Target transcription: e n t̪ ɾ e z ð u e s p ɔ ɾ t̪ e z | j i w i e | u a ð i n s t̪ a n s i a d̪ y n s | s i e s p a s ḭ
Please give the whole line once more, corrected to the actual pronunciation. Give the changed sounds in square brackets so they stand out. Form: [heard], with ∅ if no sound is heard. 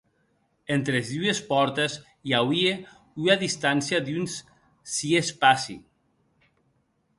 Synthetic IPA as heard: e n t̪ ɾ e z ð u e s p ɔ ɾ t̪ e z | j [a] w i e | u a ð i [∅] s t̪ a n s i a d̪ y n s | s i e s p a s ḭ